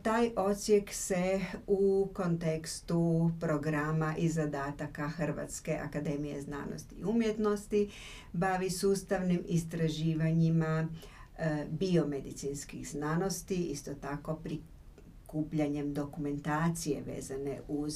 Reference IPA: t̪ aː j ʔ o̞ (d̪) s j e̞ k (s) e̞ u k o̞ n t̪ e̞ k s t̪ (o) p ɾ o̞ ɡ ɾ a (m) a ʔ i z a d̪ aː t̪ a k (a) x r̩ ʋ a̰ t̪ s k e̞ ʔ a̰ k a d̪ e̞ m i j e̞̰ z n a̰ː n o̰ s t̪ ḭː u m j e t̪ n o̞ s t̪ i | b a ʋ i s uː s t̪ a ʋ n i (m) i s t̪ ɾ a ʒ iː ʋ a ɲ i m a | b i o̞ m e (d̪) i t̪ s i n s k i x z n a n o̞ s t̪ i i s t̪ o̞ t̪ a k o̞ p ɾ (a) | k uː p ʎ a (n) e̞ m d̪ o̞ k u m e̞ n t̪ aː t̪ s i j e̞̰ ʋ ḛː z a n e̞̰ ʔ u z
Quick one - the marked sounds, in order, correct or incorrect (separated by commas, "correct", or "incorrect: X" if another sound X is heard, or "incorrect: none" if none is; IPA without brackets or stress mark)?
incorrect: t̪, correct, incorrect: u, correct, correct, correct, correct, incorrect: i, incorrect: ɲ